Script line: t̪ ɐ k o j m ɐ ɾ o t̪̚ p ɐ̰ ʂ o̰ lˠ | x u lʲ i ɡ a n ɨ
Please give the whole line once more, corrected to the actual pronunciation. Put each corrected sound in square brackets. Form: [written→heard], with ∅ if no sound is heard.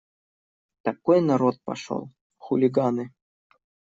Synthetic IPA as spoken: t̪ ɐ k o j [m→n] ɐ ɾ o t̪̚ p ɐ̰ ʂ o̰ lˠ | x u lʲ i ɡ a n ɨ